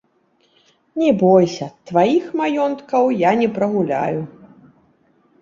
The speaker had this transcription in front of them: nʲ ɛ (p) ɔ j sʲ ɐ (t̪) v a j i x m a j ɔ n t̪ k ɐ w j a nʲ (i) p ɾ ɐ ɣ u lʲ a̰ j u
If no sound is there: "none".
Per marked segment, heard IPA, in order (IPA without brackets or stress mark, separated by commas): b, t̪, ɛ